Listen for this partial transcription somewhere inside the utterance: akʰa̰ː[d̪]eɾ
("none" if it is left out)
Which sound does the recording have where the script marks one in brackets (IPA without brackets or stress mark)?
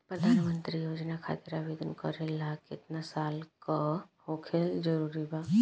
t̪